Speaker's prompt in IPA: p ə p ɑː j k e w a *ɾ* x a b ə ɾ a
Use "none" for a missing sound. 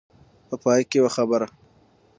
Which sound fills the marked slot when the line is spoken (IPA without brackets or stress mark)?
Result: none